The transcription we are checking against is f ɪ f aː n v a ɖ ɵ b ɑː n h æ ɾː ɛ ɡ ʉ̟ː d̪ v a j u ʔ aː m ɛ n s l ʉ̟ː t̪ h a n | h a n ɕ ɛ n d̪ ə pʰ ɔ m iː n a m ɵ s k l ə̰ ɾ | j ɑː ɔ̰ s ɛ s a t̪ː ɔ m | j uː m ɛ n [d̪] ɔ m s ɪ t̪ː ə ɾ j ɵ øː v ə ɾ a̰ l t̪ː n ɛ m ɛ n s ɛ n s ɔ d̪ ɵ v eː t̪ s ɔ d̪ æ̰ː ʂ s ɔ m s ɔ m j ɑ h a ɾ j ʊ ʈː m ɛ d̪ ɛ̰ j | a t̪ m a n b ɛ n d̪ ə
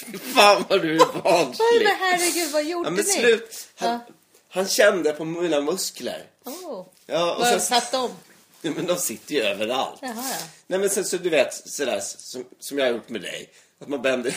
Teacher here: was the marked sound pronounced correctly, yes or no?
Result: yes